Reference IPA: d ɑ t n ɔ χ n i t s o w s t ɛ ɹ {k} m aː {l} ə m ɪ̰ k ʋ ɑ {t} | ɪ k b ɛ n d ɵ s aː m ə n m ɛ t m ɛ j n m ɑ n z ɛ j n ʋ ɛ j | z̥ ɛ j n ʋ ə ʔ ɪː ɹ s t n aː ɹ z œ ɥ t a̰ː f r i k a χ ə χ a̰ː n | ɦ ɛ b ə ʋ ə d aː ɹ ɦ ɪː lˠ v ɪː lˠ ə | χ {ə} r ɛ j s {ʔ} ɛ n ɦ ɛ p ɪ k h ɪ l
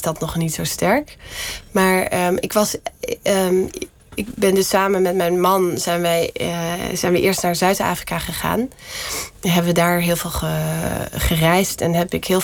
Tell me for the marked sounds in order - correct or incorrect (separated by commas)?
correct, incorrect, incorrect, correct, incorrect